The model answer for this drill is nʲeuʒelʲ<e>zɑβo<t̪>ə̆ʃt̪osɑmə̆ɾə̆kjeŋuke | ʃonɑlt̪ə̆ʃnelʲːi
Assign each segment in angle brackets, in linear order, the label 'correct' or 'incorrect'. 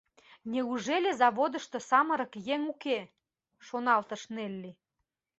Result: correct, incorrect

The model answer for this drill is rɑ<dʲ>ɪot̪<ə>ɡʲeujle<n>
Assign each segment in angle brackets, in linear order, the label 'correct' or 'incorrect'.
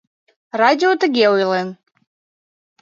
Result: correct, correct, correct

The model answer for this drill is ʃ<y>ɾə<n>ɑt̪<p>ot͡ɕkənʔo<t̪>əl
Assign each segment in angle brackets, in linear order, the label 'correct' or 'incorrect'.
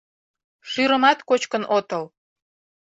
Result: correct, incorrect, incorrect, correct

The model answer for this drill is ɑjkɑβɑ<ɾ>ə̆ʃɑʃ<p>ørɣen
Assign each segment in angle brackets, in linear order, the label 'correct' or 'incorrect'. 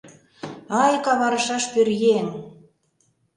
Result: correct, correct

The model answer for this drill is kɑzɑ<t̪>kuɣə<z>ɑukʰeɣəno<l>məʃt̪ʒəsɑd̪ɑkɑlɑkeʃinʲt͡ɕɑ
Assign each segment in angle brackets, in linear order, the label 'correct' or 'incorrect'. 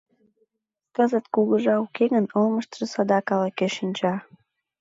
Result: correct, incorrect, correct

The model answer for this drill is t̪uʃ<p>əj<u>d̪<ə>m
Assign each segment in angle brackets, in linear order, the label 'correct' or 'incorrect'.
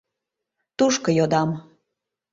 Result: incorrect, incorrect, incorrect

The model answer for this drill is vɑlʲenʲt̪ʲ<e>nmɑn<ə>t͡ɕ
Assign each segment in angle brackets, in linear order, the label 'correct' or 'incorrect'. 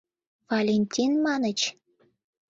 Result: incorrect, correct

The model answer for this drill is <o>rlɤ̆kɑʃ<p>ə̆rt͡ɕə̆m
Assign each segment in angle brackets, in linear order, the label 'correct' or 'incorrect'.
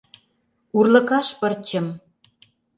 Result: incorrect, correct

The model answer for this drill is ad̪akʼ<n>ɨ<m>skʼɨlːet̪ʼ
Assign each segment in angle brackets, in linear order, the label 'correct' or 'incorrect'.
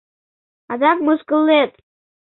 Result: incorrect, incorrect

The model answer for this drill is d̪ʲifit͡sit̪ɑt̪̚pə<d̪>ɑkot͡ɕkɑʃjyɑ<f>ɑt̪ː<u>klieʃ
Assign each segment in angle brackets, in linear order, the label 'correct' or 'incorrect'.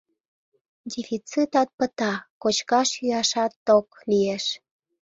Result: incorrect, incorrect, incorrect

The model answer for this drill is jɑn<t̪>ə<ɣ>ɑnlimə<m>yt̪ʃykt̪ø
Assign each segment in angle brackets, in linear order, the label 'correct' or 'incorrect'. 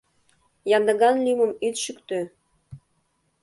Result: incorrect, correct, correct

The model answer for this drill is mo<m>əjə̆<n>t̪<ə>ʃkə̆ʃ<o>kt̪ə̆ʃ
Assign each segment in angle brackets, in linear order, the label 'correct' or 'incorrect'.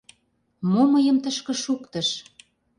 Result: correct, incorrect, correct, incorrect

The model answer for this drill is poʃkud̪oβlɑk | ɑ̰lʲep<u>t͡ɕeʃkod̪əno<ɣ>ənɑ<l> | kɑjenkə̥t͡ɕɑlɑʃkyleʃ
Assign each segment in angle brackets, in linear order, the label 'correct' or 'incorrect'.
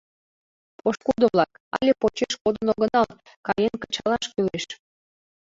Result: incorrect, correct, correct

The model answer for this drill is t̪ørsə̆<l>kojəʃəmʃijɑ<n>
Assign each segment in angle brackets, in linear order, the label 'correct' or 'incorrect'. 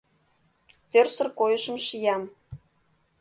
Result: incorrect, incorrect

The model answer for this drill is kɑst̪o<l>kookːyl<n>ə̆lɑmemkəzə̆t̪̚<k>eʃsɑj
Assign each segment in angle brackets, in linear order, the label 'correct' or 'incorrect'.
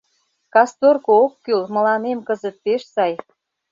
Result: incorrect, incorrect, incorrect

